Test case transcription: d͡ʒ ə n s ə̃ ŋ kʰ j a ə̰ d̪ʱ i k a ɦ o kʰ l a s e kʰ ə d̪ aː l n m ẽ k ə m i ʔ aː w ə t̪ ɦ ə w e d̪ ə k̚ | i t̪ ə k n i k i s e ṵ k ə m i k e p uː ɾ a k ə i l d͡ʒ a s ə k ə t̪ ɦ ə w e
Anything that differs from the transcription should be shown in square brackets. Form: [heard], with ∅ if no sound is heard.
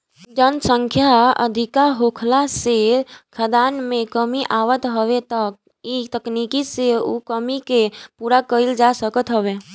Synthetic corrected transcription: d͡ʒ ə n s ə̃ ŋ kʰ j a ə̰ d̪ʱ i k a ɦ o kʰ l a s e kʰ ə d̪ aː [∅] n m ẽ k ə m i ʔ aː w ə t̪ ɦ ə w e [t̪] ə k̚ | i t̪ ə k n i k i s e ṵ k ə m i k e p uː ɾ a k ə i l d͡ʒ a s ə k ə t̪ ɦ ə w e